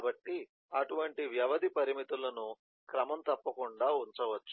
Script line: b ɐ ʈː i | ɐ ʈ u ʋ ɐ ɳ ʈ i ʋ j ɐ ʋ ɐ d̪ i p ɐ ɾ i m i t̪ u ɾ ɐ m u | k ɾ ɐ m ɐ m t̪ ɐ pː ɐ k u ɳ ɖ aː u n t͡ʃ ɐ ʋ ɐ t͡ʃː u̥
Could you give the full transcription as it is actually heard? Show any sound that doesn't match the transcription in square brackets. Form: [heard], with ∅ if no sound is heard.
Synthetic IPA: b ɐ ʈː i | ɐ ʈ u ʋ ɐ ɳ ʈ i ʋ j ɐ ʋ ɐ d̪ i p ɐ ɾ i m i t̪ u [l] ɐ [n] u | k ɾ ɐ m ɐ m t̪ ɐ pː ɐ k u ɳ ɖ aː u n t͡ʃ ɐ ʋ ɐ t͡ʃː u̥

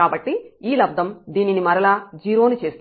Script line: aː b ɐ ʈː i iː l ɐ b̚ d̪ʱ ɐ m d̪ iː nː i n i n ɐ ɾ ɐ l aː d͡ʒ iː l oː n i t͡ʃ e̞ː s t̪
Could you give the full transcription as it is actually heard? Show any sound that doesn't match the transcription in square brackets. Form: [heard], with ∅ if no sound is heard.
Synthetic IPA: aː b ɐ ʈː i iː l ɐ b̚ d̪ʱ ɐ m d̪ iː [n] i n i [m] ɐ ɾ ɐ l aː d͡ʒ iː [ɾ] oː n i t͡ʃ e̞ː s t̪

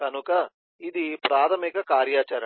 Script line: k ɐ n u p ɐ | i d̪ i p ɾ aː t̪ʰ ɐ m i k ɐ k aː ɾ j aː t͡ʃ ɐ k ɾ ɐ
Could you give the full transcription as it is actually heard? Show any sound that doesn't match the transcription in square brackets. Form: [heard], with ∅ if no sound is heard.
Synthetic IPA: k ɐ n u [k] ɐ | i d̪ i p ɾ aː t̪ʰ ɐ m i k ɐ k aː ɾ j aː t͡ʃ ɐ [∅] ɾ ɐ

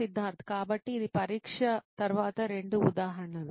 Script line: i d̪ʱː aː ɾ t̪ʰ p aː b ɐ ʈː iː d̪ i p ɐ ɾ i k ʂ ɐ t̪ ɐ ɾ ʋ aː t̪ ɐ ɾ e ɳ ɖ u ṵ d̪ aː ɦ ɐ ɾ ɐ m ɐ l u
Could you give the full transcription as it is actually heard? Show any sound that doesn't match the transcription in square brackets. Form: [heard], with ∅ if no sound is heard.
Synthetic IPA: i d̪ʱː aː ɾ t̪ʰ [k] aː b ɐ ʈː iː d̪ i p ɐ ɾ [iː] k ʂ ɐ t̪ ɐ ɾ ʋ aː t̪ ɐ ɾ e ɳ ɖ u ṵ d̪ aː ɦ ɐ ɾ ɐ [ɳ] ɐ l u

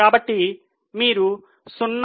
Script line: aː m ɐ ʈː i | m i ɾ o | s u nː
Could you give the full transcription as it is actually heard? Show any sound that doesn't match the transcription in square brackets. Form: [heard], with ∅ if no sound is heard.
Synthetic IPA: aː [b] ɐ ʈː i | m [iː] ɾ [u] | s u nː

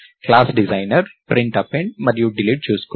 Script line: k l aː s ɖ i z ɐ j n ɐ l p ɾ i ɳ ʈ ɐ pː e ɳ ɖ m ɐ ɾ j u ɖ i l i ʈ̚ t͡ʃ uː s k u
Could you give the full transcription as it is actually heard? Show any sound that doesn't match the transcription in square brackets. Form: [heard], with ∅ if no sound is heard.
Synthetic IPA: k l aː s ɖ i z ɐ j n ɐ [ɾ] p ɾ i ɳ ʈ ɐ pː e ɳ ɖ m ɐ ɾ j u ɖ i l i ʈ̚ t͡ʃ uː s k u

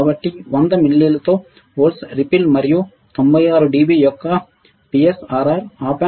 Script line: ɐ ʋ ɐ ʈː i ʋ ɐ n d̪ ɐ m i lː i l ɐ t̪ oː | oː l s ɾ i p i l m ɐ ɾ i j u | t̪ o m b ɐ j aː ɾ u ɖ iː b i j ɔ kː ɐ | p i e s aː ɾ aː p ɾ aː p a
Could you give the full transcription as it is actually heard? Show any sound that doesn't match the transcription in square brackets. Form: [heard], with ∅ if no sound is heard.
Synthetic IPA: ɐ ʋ ɐ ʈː i ʋ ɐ n d̪ ɐ m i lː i l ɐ t̪ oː | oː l s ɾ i p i l m ɐ ɾ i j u | t̪ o m b ɐ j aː ɾ u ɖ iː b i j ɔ kː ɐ | p i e s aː ɾ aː [∅] ɾ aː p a

